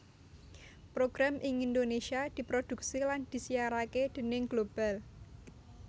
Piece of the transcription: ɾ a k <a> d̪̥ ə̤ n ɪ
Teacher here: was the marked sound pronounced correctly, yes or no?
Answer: no